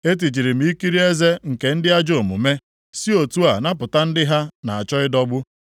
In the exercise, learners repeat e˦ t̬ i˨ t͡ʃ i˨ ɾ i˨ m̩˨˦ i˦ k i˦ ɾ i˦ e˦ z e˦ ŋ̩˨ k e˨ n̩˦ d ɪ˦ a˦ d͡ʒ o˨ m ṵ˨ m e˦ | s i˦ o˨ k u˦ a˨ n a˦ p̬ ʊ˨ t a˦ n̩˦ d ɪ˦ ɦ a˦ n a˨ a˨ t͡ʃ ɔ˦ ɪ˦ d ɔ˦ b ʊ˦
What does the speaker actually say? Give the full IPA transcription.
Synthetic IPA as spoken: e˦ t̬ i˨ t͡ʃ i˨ ɾ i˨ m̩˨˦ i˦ k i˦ ɾ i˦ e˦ z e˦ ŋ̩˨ k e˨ n̩˦ d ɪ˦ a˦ d͡ʒ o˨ m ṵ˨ m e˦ | s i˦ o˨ t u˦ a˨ n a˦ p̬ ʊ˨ t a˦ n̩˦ d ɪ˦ ɦ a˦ n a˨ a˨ t͡ʃ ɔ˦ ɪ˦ d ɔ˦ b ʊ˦